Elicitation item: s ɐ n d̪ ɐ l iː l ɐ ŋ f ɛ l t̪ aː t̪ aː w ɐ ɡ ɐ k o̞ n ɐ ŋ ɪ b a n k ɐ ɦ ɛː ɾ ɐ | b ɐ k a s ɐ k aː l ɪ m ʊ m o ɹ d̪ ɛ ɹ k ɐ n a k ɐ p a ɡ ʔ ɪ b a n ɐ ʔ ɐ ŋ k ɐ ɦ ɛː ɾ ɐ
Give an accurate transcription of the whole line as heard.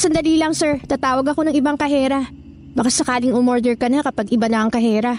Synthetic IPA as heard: s ɐ n d̪ ɐ l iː l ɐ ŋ s ɛ ɹ t̪ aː t̪ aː w ɐ ɡ ɐ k o̞ n ɐ ŋ ɪ b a ŋ k ɐ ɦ ɛː ɾ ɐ | b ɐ k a s ɐ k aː l ɪ ŋ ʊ m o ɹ d̪ ɛ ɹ k ɐ n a k ɐ p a ɡ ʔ ɪ b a n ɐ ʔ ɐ ŋ k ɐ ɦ ɛː ɾ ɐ